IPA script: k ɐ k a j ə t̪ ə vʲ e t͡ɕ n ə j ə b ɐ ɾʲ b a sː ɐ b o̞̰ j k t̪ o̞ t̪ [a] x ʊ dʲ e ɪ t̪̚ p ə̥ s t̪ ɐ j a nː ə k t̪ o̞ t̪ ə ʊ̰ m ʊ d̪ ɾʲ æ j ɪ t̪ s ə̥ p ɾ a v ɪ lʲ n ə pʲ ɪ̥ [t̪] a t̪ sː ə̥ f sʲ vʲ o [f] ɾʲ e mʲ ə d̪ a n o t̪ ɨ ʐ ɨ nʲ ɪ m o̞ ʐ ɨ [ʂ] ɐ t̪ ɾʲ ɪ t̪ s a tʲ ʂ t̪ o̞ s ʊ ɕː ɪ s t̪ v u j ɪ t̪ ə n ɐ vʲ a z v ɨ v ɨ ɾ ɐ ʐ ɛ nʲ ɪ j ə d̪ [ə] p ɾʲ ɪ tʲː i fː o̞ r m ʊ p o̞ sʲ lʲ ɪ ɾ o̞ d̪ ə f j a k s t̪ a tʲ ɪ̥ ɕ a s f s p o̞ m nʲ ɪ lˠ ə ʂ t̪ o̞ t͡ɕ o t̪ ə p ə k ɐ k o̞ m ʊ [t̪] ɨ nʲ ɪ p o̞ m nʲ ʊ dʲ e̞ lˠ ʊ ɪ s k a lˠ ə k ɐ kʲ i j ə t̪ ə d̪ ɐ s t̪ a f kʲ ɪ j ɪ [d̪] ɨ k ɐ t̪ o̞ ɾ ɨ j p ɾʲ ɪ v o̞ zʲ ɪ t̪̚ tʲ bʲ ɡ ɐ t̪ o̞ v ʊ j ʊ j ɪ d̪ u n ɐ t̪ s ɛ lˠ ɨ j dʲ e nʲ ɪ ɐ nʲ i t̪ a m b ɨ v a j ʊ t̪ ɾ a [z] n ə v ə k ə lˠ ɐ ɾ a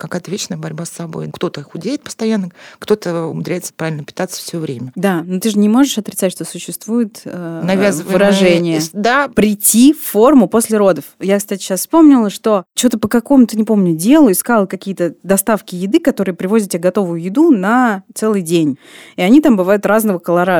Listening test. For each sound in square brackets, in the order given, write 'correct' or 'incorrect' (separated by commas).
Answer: incorrect, correct, incorrect, correct, incorrect, correct, correct, correct